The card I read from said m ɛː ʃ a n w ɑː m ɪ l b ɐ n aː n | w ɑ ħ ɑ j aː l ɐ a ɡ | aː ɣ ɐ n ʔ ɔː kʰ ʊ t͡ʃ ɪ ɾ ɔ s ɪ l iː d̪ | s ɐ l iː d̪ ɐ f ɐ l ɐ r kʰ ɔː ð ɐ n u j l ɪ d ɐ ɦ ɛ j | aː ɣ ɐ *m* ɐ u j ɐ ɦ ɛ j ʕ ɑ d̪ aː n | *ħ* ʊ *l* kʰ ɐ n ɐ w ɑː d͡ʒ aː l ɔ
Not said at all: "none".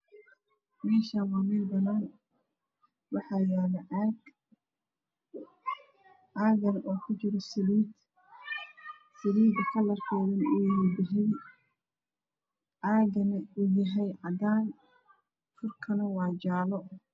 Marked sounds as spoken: n, f, r

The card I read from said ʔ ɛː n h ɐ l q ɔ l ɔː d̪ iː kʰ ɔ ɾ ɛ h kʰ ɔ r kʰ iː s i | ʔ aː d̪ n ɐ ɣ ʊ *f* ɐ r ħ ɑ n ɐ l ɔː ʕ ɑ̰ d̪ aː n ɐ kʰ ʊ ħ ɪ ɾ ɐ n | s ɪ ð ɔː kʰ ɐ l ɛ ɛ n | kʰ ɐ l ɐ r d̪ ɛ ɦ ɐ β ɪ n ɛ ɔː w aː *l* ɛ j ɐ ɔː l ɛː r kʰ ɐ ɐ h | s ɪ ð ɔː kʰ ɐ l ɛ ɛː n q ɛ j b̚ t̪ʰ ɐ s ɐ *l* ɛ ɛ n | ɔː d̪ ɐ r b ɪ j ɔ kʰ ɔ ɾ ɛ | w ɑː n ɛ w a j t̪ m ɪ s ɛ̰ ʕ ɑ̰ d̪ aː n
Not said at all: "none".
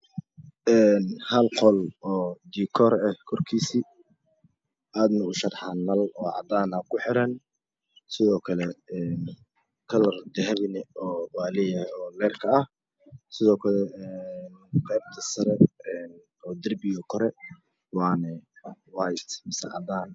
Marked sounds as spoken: ʃ, l, ɾ

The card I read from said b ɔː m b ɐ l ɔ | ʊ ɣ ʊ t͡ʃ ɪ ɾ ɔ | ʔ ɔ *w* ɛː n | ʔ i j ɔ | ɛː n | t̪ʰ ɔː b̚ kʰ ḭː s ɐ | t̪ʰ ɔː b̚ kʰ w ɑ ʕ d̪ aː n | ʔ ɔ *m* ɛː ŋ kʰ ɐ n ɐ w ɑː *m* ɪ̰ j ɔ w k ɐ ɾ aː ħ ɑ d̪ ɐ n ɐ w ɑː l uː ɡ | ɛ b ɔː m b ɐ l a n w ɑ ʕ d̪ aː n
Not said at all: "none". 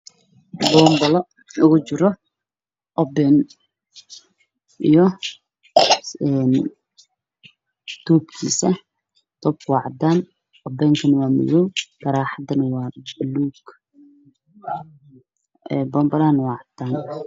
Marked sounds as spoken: b, b, m

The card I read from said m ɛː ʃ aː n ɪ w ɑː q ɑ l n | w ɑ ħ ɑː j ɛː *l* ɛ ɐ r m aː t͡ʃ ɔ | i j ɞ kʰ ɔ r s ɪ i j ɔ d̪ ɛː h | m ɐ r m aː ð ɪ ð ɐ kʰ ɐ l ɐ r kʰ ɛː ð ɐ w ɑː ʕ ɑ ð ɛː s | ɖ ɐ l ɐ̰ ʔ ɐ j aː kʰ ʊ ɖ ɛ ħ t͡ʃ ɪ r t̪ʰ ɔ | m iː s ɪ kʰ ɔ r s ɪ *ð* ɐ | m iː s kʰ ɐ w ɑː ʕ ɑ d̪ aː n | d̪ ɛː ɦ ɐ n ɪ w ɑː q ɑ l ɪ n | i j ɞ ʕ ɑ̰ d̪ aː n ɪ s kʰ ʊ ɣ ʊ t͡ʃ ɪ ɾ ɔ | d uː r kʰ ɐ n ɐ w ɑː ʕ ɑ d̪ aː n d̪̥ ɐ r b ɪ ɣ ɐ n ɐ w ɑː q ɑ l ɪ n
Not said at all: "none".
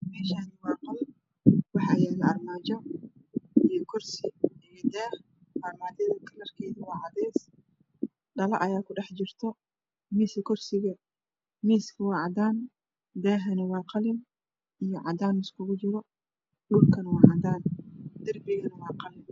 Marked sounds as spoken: l, ɣ

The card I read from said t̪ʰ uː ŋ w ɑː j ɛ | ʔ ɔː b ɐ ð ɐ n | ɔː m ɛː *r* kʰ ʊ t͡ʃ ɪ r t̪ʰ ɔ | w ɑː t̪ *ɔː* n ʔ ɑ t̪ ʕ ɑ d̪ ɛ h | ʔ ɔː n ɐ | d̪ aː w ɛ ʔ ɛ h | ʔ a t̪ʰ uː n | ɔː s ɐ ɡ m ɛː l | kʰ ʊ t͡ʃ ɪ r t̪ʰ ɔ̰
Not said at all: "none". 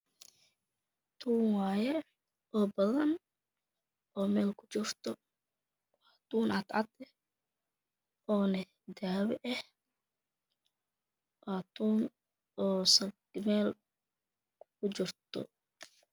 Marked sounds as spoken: l, uː

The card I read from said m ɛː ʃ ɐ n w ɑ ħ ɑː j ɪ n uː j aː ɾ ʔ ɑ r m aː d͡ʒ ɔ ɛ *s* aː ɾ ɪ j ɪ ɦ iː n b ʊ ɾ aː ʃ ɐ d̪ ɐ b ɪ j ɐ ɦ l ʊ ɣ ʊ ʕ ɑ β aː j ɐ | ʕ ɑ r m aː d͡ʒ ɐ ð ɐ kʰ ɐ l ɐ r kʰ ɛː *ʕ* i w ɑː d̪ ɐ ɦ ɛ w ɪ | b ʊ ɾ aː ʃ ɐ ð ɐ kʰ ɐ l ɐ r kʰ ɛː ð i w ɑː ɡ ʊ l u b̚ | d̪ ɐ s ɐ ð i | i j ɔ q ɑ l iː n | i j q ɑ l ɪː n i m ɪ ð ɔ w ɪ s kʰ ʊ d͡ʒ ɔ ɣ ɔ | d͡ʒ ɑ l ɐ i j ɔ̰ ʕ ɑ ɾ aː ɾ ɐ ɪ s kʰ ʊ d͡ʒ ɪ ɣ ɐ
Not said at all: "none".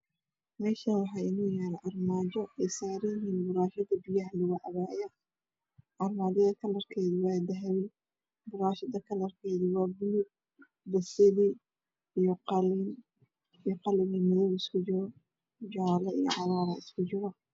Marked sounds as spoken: s, ð

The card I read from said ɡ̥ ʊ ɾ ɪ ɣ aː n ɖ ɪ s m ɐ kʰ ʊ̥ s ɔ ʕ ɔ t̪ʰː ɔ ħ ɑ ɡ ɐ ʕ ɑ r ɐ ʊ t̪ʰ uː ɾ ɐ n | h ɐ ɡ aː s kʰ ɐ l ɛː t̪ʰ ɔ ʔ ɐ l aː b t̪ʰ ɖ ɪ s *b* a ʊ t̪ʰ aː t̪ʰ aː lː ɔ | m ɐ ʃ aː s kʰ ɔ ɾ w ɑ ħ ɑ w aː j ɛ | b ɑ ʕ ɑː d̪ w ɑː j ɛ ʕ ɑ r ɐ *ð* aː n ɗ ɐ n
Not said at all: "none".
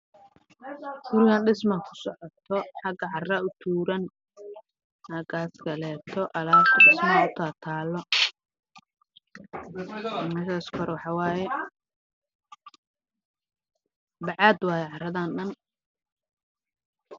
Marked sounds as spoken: m, ð

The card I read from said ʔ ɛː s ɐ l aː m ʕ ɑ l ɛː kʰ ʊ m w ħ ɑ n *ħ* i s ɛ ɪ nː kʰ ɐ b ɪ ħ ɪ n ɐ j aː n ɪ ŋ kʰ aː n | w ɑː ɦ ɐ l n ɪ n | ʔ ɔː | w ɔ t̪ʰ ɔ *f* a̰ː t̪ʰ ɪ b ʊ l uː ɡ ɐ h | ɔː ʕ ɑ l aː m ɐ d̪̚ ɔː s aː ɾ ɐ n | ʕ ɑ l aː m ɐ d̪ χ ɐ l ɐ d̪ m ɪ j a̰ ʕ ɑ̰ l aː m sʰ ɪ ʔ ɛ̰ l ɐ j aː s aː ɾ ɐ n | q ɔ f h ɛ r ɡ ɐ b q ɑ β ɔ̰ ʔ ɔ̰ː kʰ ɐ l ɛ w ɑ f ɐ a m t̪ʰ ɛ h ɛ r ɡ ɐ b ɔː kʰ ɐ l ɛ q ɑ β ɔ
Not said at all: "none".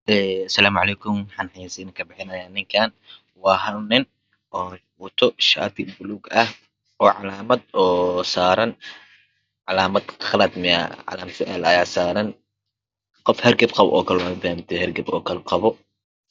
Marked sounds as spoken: ħ, ʃ

